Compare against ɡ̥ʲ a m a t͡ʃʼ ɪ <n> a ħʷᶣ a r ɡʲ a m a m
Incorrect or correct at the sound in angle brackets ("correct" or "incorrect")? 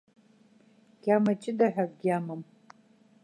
incorrect